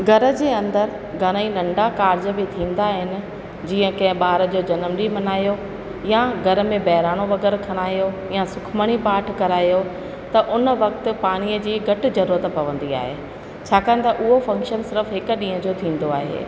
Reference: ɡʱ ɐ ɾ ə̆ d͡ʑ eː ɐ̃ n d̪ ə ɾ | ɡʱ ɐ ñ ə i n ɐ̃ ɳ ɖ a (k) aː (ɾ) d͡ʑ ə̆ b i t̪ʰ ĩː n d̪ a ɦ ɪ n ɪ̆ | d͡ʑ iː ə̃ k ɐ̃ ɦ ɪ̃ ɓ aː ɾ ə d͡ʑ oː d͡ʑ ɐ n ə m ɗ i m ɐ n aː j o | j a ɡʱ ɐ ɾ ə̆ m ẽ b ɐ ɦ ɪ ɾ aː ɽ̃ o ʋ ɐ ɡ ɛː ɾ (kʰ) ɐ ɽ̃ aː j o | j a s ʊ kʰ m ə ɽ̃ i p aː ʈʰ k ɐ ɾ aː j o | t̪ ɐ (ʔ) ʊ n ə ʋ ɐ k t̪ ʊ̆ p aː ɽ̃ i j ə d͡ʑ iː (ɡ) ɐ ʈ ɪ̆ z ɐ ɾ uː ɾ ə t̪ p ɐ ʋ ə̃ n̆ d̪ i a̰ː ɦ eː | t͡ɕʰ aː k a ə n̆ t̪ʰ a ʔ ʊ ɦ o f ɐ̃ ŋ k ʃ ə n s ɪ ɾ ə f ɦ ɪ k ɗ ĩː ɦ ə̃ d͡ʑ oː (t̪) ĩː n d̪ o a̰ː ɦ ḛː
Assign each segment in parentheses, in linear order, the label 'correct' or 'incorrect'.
correct, correct, correct, correct, correct, incorrect

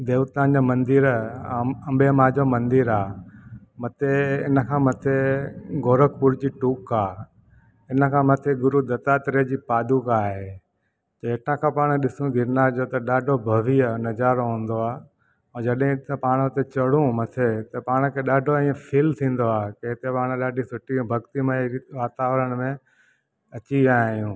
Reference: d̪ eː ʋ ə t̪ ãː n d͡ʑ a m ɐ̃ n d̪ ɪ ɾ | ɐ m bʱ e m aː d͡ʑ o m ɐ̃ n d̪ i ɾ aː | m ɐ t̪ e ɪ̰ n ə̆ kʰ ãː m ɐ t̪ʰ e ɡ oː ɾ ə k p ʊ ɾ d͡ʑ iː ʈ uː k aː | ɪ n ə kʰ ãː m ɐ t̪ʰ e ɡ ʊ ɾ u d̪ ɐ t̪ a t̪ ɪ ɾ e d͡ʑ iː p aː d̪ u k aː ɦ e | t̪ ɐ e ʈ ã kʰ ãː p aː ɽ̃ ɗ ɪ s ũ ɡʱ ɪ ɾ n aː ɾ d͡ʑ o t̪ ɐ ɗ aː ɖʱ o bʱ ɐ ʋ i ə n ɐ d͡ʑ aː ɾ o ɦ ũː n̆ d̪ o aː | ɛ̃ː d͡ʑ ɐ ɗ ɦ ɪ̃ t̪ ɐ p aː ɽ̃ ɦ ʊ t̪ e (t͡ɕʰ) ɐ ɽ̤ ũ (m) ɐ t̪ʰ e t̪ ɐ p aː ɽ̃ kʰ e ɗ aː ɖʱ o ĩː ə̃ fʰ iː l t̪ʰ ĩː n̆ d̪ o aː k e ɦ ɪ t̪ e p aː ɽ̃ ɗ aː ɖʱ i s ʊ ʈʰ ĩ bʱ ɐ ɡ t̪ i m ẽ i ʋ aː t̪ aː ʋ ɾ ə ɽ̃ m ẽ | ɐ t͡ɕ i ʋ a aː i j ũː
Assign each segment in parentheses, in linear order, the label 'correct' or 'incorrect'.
incorrect, correct

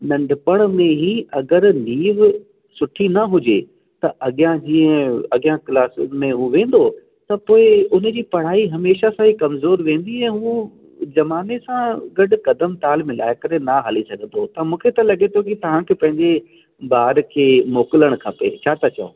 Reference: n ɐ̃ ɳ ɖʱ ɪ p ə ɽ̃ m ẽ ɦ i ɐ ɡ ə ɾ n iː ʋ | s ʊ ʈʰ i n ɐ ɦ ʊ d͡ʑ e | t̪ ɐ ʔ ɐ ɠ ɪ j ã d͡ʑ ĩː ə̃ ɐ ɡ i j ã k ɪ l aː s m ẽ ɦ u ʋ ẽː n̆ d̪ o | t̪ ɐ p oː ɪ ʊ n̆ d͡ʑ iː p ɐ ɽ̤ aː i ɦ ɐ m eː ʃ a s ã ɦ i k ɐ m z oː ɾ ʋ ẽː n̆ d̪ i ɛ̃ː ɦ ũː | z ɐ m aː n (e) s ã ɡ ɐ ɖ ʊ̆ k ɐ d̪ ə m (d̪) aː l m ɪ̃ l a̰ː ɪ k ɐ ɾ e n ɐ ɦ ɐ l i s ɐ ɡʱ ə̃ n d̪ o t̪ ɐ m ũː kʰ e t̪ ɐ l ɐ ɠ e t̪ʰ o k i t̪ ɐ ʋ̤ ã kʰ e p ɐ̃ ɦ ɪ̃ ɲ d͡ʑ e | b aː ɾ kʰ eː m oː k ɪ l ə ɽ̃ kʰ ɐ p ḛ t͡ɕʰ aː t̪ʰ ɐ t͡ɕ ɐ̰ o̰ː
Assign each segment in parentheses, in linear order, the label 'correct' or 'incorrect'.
correct, incorrect

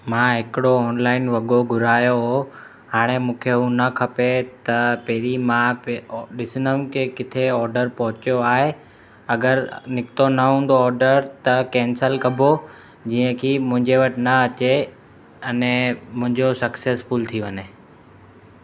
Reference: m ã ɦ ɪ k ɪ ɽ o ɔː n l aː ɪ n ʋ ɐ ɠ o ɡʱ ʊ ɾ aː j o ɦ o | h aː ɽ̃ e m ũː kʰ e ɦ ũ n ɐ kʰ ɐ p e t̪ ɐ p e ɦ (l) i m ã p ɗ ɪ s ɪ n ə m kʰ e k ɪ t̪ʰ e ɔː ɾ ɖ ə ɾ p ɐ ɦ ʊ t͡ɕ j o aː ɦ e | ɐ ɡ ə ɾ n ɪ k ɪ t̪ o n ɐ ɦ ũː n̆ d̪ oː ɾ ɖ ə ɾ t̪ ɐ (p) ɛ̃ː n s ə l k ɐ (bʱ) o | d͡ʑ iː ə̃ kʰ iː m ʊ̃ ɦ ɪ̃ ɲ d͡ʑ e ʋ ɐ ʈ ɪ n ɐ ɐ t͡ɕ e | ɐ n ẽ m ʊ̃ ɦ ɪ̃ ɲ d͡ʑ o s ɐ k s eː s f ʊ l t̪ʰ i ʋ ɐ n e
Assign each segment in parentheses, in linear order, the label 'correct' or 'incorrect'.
incorrect, incorrect, correct

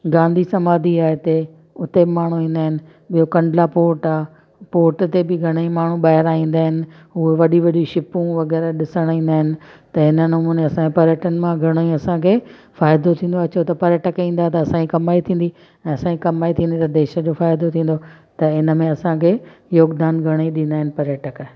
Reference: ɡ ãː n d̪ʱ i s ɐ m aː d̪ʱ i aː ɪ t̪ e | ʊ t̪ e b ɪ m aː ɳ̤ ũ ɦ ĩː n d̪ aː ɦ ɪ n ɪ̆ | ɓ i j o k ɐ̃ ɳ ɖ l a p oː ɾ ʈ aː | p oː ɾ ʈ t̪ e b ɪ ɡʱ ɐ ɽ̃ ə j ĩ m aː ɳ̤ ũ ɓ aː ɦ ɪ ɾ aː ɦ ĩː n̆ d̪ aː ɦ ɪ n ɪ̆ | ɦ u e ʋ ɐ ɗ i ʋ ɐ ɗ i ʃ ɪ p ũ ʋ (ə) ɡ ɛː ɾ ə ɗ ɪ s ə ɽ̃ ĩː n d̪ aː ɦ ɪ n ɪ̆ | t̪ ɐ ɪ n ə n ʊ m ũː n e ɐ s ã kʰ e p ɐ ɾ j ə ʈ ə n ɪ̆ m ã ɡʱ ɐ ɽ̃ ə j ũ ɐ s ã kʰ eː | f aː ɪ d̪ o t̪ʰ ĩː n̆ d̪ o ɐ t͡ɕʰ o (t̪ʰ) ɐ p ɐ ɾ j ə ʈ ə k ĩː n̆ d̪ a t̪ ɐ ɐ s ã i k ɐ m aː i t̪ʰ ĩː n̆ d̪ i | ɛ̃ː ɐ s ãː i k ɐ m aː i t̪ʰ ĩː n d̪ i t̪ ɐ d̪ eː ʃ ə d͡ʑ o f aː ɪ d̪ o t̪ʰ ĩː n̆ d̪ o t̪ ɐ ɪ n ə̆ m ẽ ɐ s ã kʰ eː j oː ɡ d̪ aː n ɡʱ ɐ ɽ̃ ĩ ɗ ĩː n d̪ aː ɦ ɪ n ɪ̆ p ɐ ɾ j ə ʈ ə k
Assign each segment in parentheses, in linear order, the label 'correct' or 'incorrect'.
incorrect, incorrect

